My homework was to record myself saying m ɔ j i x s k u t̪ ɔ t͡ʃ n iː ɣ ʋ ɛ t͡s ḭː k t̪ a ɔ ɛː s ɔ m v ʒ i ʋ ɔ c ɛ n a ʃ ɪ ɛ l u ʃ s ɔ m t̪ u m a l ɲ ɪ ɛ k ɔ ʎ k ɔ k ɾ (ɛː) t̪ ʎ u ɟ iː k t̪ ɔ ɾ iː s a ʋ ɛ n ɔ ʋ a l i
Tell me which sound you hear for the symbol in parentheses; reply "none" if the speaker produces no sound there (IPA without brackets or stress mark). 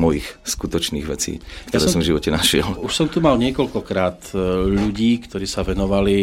aː